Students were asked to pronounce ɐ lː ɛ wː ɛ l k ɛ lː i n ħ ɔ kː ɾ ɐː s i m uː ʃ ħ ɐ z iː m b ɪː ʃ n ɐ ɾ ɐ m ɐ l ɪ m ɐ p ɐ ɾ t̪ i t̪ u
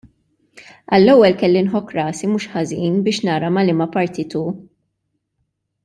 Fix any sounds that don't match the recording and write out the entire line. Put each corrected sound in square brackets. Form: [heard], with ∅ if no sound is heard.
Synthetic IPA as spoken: ɐ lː ɛ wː ɛ l k ɛ lː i n ħ ɔ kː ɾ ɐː s i m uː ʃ ħ ɐ z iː [n] b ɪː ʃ n [ɐː] ɾ ɐ m ɐ l ɪ m ɐ p ɐ ɾ t̪ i t̪ u